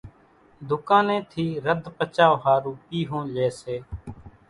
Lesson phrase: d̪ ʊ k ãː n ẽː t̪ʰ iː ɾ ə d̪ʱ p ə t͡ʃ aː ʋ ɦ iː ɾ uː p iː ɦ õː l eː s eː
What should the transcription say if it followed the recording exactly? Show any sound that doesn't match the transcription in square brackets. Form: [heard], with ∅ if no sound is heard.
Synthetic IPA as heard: d̪ ʊ k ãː n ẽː t̪ʰ iː ɾ ə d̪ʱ p ə t͡ʃ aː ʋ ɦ [aː] ɾ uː p iː ɦ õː l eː s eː